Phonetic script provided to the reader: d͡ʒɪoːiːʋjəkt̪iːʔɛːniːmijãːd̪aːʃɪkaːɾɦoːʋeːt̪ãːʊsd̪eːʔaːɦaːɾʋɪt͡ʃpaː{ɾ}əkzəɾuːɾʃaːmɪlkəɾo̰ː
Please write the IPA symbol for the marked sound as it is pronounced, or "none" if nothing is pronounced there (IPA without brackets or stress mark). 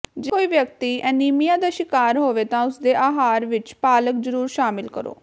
l